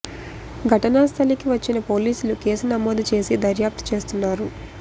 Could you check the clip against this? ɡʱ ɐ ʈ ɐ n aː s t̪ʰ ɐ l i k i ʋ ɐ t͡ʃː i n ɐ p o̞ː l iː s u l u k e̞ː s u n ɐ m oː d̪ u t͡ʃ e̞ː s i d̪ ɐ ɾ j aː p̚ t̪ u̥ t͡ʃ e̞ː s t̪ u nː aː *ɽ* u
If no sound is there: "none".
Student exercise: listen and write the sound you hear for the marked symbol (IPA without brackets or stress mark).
ɾ